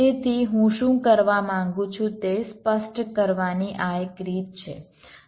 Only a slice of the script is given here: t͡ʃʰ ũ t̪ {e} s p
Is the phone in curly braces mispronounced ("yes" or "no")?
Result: no